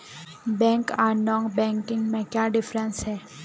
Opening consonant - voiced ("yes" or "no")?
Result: yes